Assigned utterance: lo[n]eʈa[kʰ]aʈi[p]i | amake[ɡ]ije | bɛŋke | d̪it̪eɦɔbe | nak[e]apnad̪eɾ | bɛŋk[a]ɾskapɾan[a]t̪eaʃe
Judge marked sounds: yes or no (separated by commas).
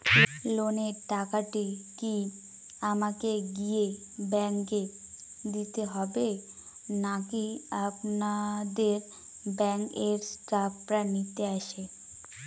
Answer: yes, no, no, yes, no, no, no